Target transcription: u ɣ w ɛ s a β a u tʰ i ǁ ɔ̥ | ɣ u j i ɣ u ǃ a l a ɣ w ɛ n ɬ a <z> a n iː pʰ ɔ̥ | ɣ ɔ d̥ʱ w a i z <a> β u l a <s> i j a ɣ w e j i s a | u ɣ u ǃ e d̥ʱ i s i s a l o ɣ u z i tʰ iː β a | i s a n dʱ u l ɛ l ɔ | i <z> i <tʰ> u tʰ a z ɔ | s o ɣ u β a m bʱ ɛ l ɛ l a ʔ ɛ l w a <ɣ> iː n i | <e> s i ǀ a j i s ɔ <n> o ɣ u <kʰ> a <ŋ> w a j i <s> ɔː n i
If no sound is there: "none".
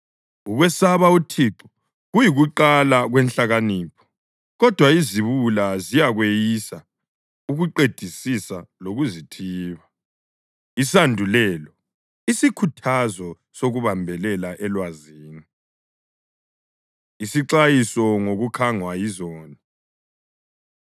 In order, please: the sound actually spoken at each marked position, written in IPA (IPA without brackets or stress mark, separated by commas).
ɣ, i, z, s, kʰ, z, i, ŋ, kʰ, ŋ, z